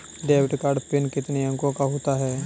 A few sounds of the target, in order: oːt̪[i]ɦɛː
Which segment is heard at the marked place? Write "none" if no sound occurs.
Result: a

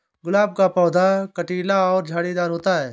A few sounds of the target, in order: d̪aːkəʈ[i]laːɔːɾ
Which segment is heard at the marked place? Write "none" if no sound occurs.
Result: iː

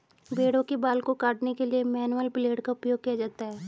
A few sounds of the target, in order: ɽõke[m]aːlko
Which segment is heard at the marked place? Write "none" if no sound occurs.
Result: b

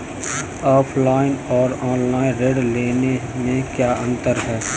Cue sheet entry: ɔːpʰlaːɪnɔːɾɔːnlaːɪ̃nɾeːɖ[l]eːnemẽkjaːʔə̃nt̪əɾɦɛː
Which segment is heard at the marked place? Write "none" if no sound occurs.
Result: l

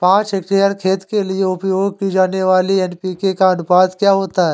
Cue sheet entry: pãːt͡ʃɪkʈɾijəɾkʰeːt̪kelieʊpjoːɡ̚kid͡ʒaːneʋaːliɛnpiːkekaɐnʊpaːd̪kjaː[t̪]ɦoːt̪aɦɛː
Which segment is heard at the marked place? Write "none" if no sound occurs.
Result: none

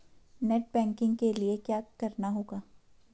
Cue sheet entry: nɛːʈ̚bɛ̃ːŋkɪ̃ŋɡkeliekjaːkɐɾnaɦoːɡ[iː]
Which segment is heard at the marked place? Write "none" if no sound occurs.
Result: aː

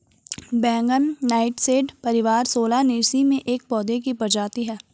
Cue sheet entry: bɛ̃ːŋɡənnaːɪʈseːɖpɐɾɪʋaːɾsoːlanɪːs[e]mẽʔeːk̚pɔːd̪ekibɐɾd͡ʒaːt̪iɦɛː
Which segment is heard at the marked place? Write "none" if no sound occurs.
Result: i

